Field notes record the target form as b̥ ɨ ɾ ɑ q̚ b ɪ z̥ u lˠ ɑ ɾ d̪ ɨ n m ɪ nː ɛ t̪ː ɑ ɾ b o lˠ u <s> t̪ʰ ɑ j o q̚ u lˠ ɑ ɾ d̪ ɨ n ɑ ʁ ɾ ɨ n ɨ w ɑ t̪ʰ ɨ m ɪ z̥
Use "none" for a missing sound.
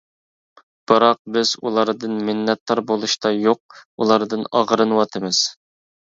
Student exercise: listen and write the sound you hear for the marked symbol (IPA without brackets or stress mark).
ʃ